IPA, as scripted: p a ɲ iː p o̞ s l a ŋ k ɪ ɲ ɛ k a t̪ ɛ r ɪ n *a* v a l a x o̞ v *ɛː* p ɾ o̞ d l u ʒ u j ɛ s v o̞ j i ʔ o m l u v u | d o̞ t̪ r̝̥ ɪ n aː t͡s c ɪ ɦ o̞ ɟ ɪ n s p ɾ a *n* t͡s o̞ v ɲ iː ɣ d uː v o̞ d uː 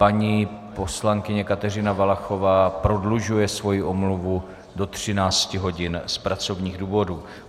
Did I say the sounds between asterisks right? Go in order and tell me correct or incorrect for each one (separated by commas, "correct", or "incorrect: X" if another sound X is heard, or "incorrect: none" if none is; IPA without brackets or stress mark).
correct, incorrect: aː, incorrect: none